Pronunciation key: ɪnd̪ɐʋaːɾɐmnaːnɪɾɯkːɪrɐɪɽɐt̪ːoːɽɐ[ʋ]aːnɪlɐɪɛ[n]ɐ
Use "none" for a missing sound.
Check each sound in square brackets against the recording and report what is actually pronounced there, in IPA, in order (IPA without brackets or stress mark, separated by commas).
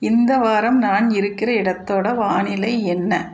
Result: ʋ, nː